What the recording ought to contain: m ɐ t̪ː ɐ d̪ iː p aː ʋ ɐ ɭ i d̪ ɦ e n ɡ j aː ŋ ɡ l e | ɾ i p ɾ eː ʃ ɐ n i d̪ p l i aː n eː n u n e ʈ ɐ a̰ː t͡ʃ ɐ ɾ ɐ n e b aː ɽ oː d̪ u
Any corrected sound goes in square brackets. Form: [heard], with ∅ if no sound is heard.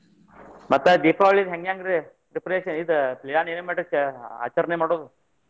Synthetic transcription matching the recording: m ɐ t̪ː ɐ d̪ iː p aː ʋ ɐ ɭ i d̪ ɦ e [ŋ] ɡ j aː ŋ ɡ [ɾ] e | ɾ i p ɾ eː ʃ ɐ n i d̪ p l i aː n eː n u [m] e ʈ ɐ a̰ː t͡ʃ ɐ ɾ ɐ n e [m] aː ɽ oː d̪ u